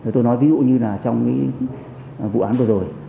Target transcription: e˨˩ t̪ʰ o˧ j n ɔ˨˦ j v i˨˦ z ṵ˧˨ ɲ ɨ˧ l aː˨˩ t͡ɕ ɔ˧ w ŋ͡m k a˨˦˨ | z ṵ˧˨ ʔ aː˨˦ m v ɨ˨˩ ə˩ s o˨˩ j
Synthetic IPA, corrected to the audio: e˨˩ t̪ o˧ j n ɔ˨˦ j v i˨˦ z ṵ˧˨ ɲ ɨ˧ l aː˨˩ t͡ɕ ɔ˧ w ŋ͡m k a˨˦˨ | v ṵ˧˨ ʔ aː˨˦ n v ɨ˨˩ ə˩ z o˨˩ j